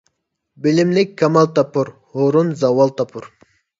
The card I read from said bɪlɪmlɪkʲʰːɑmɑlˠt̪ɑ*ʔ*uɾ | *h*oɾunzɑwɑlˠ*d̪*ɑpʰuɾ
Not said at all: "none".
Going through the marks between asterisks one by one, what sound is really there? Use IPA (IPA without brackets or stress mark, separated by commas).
p, h, t̪